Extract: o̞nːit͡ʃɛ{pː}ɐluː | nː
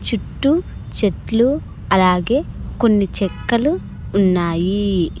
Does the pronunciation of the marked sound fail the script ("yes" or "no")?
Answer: yes